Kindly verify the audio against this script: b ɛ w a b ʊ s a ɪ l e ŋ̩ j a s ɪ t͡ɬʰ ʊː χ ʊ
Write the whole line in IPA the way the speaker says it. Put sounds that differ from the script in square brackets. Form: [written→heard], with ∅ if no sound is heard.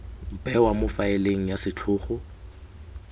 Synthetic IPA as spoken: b ɛ w a [b→m] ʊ [s→f] a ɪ l e ŋ̩ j a s ɪ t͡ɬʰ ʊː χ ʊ